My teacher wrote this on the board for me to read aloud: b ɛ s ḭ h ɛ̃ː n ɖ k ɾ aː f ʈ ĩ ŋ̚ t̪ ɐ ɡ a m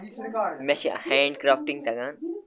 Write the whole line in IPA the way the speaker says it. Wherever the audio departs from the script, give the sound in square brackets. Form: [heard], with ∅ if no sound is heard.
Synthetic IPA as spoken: [m] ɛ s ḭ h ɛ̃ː [ɳ] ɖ k ɾ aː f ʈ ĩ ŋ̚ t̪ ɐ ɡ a [n]